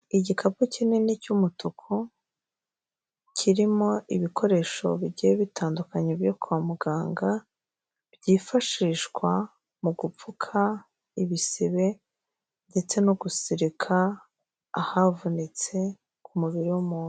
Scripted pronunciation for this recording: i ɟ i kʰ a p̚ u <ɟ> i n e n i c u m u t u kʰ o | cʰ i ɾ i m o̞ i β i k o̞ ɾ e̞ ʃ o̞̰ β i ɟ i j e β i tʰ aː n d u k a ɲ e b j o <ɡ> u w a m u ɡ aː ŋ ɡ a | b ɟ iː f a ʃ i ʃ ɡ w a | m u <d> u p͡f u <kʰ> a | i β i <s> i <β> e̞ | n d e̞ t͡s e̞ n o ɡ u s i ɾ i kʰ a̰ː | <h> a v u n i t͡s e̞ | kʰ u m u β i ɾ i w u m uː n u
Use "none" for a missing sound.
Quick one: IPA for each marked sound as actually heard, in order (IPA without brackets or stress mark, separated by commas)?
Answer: c, k, ɡ, kʰ, s, β, h